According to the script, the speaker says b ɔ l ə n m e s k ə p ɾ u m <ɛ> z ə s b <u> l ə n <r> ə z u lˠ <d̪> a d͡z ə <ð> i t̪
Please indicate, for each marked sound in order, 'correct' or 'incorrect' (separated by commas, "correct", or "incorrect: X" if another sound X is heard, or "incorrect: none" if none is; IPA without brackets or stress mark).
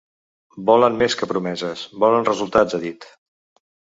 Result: correct, incorrect: ɔ, correct, incorrect: t̪, correct